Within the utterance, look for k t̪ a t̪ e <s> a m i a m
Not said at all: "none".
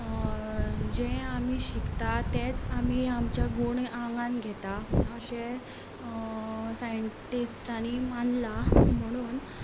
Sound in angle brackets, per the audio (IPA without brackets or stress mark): t͡s